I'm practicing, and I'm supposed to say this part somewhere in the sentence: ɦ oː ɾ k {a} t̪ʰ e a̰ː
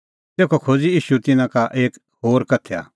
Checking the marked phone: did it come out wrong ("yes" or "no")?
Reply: yes